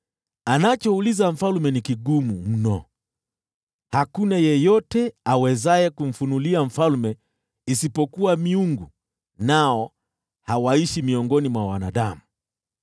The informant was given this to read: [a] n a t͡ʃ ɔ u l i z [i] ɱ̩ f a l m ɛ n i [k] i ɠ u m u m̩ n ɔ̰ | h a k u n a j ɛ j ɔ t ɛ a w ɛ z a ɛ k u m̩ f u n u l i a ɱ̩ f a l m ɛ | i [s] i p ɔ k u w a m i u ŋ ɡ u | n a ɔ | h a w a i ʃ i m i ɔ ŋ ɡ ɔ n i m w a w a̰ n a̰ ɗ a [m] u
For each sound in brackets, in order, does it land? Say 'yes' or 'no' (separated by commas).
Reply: yes, no, yes, yes, yes